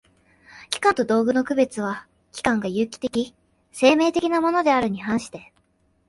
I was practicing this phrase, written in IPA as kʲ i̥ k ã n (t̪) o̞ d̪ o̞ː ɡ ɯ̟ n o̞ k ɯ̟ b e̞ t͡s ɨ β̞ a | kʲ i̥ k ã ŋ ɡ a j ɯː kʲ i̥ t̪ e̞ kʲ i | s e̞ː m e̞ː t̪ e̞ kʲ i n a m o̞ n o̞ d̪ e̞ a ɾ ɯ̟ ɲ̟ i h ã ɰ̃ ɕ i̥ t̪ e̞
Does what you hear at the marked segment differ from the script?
no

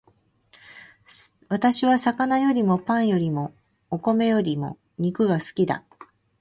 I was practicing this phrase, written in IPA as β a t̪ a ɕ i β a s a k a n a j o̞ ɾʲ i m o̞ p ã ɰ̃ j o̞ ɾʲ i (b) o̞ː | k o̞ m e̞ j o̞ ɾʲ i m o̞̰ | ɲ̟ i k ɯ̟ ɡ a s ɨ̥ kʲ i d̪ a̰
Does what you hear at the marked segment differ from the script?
yes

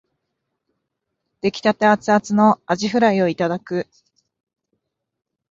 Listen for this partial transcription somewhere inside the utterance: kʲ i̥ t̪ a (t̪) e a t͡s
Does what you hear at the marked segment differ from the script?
no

